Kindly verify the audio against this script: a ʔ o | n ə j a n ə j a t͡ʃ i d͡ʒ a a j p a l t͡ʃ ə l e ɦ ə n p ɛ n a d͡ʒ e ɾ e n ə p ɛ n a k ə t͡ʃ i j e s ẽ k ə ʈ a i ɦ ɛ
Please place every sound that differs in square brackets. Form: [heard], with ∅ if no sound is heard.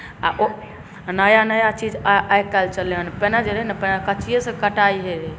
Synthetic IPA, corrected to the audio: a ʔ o | n ə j a n ə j a t͡ʃ i d͡ʒ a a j [k] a l t͡ʃ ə l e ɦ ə n p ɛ n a d͡ʒ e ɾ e n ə p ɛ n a k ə t͡ʃ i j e s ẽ k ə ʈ a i ɦ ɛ